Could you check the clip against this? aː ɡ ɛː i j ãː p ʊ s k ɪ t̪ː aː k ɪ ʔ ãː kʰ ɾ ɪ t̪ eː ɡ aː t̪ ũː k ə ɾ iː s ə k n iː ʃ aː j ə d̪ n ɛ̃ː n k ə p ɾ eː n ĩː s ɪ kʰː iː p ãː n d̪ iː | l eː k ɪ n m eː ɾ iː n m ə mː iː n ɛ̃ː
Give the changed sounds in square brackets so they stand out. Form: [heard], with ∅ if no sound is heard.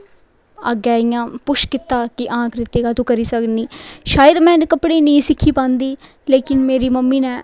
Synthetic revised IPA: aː ɡ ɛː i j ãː p ʊ [ʃ] k ɪ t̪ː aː k ɪ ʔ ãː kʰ ɾ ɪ t̪ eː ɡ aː t̪ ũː k ə ɾ iː s ə k n iː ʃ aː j ə d̪ [m] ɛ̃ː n k ə p [ɽ] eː n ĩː s ɪ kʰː iː p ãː n d̪ iː | l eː k ɪ n m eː ɾ iː [∅] m ə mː iː n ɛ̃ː